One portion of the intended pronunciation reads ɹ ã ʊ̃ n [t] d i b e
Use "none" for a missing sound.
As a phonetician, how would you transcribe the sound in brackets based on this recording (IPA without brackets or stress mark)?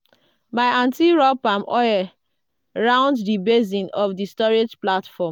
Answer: d